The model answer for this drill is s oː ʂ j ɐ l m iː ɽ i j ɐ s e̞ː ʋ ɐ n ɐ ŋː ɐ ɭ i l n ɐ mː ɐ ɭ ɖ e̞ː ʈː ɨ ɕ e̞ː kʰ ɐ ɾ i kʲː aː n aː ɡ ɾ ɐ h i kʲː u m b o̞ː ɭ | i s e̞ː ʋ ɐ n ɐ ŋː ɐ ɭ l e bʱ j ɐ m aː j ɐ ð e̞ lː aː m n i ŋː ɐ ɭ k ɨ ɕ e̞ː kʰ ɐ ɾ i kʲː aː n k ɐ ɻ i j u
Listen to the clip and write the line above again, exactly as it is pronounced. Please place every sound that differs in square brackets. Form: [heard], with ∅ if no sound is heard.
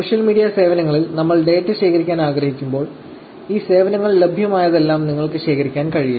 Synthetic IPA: s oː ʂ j ɐ l m iː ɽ i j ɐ s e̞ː ʋ ɐ n ɐ ŋː ɐ ɭ i l n ɐ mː ɐ ɭ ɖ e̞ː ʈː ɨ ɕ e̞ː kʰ ɐ ɾ i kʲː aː n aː ɡ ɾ ɐ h i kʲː u m b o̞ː ɭ | [iː] s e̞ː ʋ ɐ n ɐ ŋː ɐ ɭ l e bʱ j ɐ m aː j ɐ ð e̞ lː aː m n i ŋː ɐ ɭ k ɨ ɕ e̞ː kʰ ɐ ɾ i kʲː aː n k ɐ ɻ i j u